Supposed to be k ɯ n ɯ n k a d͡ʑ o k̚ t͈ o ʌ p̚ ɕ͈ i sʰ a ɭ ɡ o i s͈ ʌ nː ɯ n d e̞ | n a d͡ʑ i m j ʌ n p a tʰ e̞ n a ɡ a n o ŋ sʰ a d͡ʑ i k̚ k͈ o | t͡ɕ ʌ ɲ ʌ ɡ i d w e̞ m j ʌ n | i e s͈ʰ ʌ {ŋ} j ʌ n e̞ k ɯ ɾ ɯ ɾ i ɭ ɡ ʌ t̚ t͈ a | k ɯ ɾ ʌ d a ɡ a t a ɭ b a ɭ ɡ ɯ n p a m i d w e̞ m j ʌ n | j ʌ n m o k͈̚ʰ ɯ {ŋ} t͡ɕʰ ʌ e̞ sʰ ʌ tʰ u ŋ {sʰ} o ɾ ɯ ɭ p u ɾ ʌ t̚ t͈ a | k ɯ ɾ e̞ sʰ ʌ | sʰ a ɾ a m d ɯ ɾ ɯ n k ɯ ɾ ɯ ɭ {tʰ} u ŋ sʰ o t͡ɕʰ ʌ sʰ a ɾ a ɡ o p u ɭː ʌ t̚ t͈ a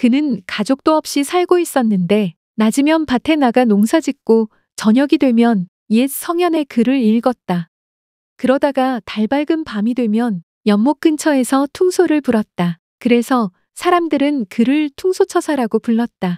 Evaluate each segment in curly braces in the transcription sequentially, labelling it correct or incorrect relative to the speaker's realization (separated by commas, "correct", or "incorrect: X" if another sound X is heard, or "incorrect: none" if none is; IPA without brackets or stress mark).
correct, incorrect: n, correct, correct